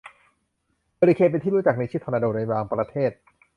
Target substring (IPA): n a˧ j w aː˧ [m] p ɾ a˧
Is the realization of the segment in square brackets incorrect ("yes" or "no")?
yes